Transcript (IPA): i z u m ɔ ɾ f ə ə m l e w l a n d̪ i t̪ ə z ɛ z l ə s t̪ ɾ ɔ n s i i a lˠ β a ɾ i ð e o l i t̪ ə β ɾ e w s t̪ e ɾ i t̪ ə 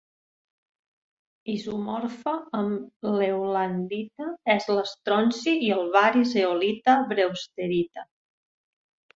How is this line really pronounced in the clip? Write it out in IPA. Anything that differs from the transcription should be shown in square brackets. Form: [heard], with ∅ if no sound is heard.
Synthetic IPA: i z u m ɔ ɾ f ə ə m l e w l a n d̪ i t̪ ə [∅] ɛ z l ə s t̪ ɾ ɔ n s i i [ə] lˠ β a ɾ i [z] e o l i t̪ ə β ɾ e w s t̪ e ɾ i t̪ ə

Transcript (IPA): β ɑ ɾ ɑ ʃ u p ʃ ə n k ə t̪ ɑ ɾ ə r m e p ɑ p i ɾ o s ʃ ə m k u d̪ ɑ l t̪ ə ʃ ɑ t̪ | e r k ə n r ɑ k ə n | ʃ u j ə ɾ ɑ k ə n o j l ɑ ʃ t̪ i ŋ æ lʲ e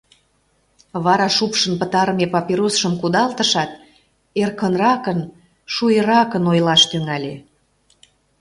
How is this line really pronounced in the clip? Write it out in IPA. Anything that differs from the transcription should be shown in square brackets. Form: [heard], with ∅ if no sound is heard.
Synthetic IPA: β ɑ ɾ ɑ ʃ u p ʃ ə n [p] ə t̪ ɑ ɾ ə [∅] m e p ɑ p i ɾ o s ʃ ə m k u d̪ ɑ l t̪ ə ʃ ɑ t̪ | e r k ə n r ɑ k ə n | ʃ u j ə ɾ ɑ k ə n o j l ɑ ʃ t̪ [y] ŋ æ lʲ e

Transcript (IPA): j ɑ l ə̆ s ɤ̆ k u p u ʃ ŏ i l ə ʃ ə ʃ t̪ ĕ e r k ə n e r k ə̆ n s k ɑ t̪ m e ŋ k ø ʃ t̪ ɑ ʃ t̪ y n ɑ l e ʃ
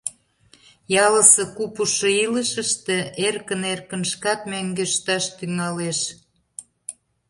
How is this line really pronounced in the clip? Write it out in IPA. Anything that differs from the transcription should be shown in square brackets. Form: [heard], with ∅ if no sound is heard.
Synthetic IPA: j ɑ l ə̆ s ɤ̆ k u p u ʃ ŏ i l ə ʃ ə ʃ t̪ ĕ e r k ə n e r k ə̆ n [ʃ] k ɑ t̪ m [æ] ŋ [ɡ] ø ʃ t̪ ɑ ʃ t̪ y [ŋ] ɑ l e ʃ

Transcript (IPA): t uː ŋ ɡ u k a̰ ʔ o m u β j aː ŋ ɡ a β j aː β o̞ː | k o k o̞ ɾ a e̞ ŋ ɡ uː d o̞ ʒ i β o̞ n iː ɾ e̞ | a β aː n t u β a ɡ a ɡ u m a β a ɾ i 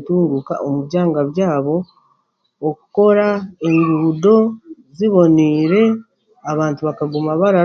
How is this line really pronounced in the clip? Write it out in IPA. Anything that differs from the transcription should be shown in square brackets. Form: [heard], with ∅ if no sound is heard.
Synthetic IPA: t uː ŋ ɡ u k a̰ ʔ o m u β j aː ŋ ɡ a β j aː β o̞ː | k [u] k o̞ ɾ a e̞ ŋ ɡ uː d o̞ [z] i β o̞ n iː ɾ e̞ | a β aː n t u β a [k] a ɡ u m a β a ɾ [a]

